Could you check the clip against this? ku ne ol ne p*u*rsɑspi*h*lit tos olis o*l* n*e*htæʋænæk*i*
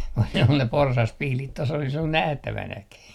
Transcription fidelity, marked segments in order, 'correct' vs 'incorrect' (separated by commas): incorrect, correct, correct, incorrect, correct